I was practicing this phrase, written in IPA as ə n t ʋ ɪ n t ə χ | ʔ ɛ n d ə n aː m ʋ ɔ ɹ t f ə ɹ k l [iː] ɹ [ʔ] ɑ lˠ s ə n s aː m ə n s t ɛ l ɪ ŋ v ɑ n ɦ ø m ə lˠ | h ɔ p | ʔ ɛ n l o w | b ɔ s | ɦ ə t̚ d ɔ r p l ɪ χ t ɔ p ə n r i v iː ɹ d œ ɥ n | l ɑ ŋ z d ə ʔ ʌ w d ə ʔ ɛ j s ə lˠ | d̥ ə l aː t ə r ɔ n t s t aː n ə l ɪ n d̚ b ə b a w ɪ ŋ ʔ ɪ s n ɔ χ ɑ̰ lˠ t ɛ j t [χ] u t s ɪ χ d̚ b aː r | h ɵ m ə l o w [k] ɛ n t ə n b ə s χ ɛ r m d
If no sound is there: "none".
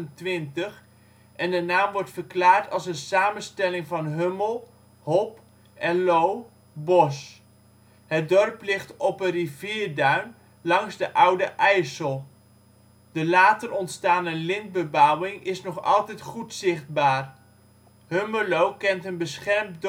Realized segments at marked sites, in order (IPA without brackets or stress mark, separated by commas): aː, t, χ, k